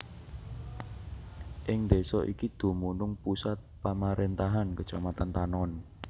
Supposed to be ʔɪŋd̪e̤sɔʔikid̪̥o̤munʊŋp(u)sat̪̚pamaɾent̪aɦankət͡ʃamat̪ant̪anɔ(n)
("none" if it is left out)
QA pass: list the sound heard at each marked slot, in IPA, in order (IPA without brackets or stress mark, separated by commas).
u, n